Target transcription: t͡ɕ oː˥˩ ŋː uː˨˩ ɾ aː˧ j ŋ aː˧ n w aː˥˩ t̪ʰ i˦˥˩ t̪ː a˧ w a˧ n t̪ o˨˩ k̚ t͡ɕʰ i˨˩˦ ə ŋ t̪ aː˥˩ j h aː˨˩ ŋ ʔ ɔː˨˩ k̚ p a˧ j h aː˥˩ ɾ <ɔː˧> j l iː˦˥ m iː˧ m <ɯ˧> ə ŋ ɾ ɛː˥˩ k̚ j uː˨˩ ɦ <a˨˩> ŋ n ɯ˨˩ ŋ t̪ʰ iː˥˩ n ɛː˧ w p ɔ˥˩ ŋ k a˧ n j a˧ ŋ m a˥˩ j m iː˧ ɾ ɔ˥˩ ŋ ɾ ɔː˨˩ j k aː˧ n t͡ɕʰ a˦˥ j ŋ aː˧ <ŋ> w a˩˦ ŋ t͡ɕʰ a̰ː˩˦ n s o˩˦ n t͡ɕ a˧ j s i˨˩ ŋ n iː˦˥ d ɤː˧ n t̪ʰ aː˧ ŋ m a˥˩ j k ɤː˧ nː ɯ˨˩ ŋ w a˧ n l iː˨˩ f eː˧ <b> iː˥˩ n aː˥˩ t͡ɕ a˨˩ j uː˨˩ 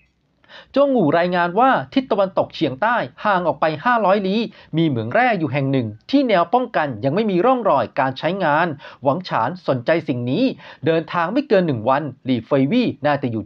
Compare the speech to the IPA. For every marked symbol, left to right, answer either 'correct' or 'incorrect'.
incorrect: ɔː˦˥, incorrect: ɯ˩˦, incorrect: ɛ˨˩, incorrect: n, incorrect: w

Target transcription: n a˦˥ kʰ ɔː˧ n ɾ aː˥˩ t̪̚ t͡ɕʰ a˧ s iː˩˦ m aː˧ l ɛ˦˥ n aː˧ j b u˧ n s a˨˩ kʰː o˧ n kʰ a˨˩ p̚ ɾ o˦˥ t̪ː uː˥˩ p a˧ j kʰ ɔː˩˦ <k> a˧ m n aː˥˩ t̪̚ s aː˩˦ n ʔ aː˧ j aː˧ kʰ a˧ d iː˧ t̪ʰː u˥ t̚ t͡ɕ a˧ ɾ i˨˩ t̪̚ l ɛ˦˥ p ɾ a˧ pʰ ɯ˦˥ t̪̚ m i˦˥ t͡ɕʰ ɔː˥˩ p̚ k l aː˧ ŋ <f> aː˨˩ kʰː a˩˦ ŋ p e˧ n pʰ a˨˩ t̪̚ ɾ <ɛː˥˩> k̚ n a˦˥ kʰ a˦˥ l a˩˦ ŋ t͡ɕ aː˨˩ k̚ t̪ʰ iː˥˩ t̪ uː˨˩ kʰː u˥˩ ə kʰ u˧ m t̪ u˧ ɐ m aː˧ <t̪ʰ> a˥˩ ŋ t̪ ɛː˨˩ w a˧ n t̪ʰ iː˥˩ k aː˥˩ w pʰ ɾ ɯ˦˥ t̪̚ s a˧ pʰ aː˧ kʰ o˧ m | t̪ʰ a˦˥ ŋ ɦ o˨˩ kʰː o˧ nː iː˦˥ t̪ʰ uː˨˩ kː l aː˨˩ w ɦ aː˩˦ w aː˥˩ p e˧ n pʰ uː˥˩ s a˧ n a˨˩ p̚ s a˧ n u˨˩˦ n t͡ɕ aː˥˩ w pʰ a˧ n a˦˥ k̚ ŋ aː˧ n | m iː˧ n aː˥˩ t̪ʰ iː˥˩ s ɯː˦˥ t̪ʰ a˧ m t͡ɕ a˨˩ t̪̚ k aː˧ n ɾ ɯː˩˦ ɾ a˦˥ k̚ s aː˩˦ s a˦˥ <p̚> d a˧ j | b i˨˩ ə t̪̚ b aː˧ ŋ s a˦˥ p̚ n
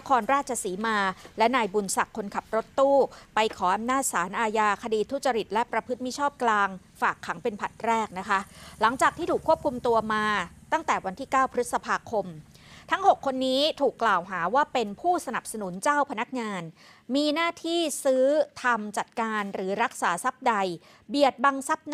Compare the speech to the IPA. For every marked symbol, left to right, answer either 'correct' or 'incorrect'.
incorrect: ʔ, correct, correct, incorrect: t̪, correct

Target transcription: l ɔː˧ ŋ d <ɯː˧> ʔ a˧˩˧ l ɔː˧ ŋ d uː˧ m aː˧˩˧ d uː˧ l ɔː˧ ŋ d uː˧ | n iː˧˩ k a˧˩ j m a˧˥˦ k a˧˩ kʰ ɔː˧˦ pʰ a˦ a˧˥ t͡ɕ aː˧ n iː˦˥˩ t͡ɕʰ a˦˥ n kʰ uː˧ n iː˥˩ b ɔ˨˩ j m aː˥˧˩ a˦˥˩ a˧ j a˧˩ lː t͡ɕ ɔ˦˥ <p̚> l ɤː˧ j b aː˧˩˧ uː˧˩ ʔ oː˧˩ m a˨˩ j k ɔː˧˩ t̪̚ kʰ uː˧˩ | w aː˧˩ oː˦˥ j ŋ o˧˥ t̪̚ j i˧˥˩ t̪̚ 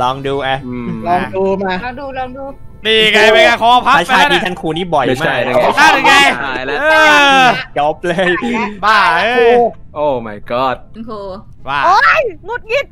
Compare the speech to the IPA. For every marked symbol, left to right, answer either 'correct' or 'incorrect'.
incorrect: uː˧, correct

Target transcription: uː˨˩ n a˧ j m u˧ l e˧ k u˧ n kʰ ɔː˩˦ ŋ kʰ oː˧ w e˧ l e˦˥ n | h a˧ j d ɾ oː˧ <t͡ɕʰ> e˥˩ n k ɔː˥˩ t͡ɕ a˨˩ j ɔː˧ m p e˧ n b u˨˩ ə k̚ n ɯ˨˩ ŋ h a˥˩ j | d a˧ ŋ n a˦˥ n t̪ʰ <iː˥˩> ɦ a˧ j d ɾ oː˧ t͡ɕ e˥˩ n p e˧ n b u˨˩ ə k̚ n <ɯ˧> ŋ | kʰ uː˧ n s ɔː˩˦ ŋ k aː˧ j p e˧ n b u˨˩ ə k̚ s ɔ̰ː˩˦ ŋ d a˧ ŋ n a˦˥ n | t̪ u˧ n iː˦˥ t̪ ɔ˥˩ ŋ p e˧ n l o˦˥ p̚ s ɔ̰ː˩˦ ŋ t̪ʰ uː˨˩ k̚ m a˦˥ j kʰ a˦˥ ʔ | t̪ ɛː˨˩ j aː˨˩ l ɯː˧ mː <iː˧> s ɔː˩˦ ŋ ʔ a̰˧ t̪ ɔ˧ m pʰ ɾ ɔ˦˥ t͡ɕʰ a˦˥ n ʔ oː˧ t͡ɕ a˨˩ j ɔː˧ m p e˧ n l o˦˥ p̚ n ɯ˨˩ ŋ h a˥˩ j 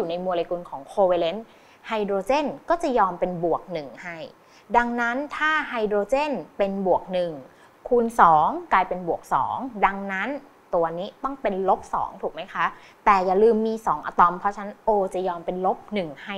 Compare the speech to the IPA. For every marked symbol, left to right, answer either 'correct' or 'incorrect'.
incorrect: t͡ɕ, incorrect: aː˥˩, incorrect: ɯ˨˩, correct

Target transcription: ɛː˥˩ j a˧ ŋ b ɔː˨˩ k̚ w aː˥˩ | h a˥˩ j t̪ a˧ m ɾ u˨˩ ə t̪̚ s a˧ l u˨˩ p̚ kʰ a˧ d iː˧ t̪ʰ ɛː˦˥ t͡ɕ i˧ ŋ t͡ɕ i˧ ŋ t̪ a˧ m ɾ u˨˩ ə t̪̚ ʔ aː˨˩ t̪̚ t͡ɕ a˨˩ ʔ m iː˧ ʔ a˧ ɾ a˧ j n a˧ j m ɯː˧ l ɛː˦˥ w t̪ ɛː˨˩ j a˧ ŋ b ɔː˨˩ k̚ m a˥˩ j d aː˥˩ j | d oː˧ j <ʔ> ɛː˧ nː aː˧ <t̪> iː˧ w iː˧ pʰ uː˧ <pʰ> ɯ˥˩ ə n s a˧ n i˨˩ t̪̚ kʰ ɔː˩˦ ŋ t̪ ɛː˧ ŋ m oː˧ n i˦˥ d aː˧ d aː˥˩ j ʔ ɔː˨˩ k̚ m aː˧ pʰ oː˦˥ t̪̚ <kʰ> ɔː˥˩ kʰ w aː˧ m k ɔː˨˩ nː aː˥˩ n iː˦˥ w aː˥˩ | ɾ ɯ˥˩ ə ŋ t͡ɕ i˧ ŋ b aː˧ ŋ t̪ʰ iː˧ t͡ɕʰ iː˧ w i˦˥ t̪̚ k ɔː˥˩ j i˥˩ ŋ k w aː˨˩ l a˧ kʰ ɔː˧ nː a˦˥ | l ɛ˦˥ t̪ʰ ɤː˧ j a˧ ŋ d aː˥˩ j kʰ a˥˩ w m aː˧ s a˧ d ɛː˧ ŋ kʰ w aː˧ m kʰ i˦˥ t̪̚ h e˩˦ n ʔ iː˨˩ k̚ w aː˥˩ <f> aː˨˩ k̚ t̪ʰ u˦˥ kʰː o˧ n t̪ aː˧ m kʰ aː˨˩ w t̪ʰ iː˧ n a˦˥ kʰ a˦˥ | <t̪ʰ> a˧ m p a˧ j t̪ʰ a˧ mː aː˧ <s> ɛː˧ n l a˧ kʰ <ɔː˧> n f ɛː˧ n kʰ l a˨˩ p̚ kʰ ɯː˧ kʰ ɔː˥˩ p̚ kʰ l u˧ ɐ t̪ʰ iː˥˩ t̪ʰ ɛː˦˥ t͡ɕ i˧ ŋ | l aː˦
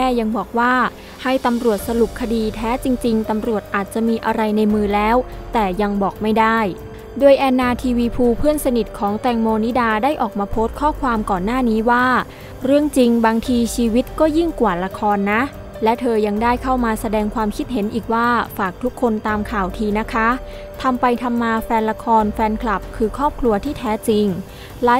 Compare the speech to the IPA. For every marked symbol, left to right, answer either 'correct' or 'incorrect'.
correct, incorrect: t̪ʰ, correct, correct, correct, correct, incorrect: f, correct

